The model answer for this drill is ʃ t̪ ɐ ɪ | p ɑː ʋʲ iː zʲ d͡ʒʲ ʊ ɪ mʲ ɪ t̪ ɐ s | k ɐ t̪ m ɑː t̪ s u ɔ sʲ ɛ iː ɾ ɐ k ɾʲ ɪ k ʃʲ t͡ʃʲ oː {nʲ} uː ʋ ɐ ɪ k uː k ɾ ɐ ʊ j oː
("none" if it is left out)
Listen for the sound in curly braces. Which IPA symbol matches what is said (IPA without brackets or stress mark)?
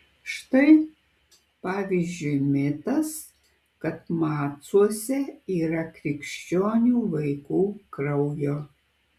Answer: nʲ